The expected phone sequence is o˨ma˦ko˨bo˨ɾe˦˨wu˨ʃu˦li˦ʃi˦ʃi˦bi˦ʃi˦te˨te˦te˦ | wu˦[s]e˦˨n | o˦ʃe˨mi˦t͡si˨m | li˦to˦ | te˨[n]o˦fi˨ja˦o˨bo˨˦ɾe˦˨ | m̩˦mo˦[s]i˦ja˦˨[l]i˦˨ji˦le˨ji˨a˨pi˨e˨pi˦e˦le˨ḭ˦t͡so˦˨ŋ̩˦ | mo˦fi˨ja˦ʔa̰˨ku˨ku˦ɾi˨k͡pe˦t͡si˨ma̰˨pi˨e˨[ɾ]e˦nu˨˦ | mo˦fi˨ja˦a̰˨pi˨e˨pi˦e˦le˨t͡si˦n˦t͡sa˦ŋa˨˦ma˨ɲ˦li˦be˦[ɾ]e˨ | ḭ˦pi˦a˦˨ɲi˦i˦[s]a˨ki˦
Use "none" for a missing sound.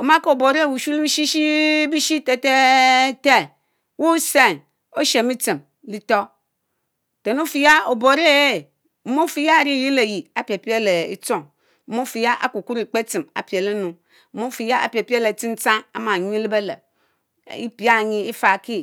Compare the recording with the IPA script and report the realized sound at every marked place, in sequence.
s, n, f, ɾ, l, l, f

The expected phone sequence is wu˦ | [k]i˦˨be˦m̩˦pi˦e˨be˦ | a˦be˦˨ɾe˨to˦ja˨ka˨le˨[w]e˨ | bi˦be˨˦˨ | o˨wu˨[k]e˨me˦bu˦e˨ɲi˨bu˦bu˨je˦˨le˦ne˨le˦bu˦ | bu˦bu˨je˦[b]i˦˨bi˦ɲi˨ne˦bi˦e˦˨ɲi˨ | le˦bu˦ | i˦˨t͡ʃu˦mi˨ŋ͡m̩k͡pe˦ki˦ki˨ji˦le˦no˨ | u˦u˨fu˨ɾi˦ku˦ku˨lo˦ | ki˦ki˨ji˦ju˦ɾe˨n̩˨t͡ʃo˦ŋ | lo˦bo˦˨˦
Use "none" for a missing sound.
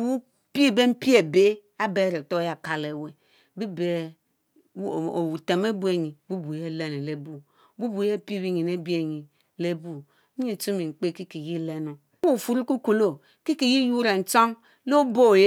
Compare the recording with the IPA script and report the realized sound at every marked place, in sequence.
p, w, t, p

